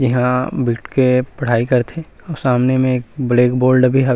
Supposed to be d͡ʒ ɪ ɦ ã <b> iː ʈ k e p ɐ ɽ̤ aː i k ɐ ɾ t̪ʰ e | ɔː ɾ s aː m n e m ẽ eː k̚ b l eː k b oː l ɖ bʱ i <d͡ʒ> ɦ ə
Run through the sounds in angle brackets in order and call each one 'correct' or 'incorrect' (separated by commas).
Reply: correct, incorrect